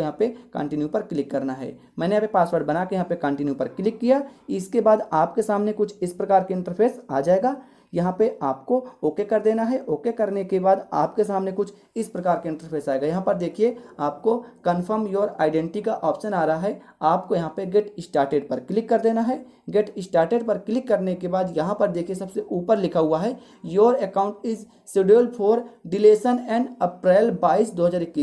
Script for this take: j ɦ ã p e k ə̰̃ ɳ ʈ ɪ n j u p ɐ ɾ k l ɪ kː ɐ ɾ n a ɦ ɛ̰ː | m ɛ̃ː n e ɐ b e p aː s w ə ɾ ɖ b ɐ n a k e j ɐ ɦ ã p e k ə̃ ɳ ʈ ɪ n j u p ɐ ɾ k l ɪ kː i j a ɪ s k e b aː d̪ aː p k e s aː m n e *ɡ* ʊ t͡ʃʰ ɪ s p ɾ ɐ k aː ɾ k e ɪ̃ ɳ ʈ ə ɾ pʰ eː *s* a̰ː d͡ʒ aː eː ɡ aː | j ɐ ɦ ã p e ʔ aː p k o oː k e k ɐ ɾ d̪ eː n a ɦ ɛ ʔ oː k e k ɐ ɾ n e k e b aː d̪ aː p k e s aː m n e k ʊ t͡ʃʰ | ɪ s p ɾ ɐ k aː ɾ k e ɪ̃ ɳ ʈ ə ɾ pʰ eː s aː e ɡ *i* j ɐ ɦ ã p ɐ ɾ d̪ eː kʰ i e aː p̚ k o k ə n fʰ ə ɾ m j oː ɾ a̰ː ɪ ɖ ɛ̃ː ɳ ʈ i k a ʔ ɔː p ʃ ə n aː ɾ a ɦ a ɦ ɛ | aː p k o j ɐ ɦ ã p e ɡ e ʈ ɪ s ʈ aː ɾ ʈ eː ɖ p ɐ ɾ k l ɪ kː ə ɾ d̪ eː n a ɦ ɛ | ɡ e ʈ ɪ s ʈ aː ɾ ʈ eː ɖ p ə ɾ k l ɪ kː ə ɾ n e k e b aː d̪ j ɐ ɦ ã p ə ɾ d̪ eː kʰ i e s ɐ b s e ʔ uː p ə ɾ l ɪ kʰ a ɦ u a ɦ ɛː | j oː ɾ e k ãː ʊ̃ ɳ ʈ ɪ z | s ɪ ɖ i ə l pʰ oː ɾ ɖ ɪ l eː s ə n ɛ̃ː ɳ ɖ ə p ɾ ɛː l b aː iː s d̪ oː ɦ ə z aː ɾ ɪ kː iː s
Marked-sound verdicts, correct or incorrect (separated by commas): incorrect, correct, incorrect